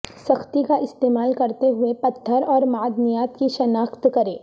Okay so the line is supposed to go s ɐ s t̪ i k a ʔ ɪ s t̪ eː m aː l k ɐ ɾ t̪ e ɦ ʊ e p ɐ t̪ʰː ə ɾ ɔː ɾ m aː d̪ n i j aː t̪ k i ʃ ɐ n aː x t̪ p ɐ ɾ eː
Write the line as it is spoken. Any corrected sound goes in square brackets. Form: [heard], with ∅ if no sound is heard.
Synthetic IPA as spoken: s ɐ [x] t̪ i k a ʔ ɪ s t̪ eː m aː l k ɐ ɾ t̪ e ɦ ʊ e p ɐ t̪ʰː ə ɾ ɔː ɾ m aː d̪ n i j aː t̪ k i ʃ ɐ n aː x t̪ [k] ɐ ɾ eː